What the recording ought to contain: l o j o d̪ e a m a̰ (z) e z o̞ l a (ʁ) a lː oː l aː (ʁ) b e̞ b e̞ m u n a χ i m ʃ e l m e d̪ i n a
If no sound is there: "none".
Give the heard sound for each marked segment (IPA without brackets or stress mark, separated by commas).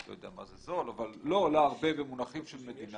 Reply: z, v, ʁ